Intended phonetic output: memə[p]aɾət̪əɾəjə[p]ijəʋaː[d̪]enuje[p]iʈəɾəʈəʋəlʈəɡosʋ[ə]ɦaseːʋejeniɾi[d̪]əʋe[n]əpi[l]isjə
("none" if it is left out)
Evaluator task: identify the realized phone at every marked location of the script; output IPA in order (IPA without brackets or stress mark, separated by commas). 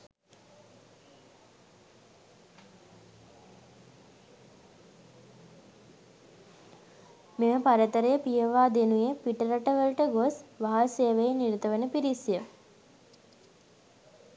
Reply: p, p, d̪, p, a, t̪, n, ɾ